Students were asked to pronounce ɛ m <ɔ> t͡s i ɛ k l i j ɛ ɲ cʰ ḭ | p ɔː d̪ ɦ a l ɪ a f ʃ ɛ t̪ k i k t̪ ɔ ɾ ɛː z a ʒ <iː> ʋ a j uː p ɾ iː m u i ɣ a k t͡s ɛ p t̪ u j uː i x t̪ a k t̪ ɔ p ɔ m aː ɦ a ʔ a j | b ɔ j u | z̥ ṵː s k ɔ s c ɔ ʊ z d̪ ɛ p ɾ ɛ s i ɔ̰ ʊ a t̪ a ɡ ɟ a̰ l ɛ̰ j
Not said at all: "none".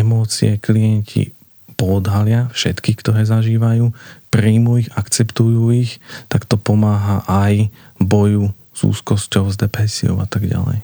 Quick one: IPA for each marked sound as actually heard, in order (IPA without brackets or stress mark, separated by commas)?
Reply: ɔː, iː